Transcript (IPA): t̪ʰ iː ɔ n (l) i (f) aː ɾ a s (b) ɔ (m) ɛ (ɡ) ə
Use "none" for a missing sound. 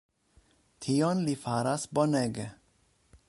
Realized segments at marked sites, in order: l, f, b, n, ɡ

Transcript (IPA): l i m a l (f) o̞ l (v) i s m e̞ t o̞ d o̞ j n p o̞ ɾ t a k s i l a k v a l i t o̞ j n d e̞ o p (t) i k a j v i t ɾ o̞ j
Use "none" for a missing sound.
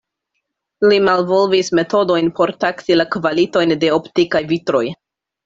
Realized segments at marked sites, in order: v, v, t

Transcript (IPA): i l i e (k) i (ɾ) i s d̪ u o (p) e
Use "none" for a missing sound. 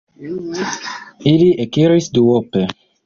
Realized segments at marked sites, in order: k, ɾ, p

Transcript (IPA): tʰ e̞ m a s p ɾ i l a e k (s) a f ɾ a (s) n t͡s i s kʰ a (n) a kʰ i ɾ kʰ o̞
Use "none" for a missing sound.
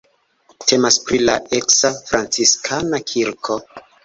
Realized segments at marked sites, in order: s, none, n

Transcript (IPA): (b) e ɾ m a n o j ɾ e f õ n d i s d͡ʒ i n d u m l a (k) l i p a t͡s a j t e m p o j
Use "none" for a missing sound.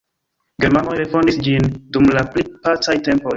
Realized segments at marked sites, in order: ɡ, p

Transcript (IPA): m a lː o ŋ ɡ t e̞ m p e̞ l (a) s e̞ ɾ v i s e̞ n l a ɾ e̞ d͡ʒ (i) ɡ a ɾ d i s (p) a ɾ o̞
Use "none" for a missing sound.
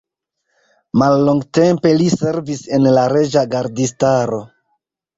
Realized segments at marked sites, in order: i, a, t

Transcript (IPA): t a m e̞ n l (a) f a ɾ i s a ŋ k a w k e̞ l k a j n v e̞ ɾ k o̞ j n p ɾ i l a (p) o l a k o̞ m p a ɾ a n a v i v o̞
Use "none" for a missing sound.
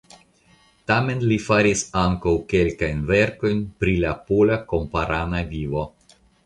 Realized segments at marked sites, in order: i, p

